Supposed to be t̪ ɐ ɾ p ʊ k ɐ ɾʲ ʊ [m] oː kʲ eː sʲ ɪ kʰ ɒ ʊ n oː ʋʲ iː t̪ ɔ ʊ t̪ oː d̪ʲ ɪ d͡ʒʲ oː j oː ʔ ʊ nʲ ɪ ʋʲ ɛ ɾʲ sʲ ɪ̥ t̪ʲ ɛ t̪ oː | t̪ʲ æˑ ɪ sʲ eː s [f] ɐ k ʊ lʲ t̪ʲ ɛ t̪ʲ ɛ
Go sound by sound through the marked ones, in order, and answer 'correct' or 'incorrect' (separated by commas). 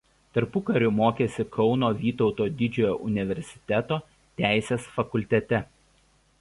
correct, correct